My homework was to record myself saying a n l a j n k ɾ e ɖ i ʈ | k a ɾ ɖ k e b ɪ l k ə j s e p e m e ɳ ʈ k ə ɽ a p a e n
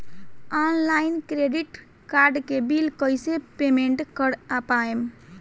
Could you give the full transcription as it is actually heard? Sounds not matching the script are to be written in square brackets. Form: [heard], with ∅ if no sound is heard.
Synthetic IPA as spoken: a n l a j n k ɾ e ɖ i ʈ | k a ɾ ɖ k e b [i] l k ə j s e p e m e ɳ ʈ k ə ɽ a p a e [m]

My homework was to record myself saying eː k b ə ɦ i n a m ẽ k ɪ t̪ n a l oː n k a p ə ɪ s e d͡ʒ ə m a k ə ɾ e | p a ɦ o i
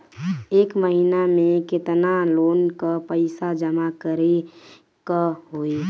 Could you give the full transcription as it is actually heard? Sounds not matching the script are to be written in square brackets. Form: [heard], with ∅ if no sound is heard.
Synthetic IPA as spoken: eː k [m] ə ɦ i n a m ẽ k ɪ t̪ n a l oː n k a p ə ɪ s [a] d͡ʒ ə m a k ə ɾ e | [k] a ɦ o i

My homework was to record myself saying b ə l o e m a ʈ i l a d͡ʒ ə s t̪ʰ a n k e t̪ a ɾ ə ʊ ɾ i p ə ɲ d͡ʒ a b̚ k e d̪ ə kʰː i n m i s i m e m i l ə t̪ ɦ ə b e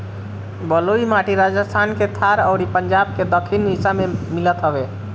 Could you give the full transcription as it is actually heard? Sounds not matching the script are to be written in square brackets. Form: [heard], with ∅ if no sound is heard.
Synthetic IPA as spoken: b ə l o [i] m a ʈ i [ɾ] a d͡ʒ ə s t̪ʰ a n k e [t̪ʰ] a ɾ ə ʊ ɾ i p ə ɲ d͡ʒ a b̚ k e d̪ ə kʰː i n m i s [a] m e m i l ə t̪ ɦ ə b e

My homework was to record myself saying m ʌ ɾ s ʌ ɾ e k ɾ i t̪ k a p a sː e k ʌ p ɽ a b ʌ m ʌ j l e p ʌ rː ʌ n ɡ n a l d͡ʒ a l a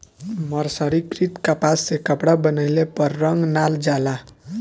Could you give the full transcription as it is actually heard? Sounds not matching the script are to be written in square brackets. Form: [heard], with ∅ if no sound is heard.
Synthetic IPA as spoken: m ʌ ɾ s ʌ ɾ [i] k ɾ i t̪ k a p a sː e k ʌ p ɽ a b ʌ [n] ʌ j l e p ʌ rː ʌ [ŋ] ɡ n a l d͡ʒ a l a

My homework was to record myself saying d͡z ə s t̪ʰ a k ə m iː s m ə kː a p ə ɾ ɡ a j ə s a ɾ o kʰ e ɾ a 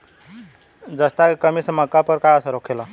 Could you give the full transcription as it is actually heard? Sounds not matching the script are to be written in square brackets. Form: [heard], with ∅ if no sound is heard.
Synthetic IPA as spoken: d͡z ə s [t̪] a k ə m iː s m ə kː a p ə ɾ [k] a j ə s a ɾ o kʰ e [l] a

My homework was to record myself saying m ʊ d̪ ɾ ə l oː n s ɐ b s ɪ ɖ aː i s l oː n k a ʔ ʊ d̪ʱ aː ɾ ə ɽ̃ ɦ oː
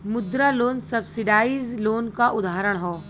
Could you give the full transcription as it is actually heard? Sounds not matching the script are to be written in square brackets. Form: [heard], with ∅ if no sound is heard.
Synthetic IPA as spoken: m ʊ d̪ ɾ [a] l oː n s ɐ b s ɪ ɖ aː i [z] l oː n k a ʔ ʊ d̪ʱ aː ɾ ə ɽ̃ ɦ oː

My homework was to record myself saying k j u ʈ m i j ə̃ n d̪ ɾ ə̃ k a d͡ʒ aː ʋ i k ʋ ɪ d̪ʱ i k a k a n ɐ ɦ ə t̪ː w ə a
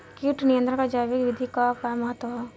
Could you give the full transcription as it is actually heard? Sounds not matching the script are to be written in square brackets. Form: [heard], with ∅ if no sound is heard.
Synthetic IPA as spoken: k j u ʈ [n] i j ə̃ n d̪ ɾ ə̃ k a d͡ʒ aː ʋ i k ʋ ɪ d̪ʱ i k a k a [m] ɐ ɦ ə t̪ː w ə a

